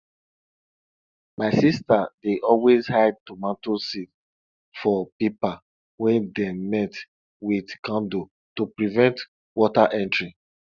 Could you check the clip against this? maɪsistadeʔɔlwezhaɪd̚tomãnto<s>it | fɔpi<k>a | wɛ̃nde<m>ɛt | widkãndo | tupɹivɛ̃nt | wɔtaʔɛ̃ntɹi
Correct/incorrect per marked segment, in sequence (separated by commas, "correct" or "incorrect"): correct, incorrect, correct